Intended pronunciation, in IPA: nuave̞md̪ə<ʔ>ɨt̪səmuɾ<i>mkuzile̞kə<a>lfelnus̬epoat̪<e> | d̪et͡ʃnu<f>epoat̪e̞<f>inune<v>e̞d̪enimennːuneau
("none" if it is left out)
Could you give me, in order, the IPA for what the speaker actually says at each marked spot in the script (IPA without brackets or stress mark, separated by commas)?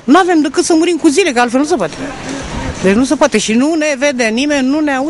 k, i, a, e, s, ʃ, v